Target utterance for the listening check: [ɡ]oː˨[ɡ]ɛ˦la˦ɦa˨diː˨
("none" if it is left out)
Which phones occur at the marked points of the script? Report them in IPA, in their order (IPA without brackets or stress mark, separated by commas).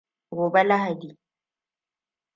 ɡ, b